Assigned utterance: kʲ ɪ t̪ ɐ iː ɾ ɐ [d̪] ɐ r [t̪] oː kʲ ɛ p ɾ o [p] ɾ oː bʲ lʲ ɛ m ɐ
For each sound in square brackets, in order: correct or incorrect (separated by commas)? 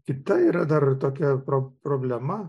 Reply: correct, correct, correct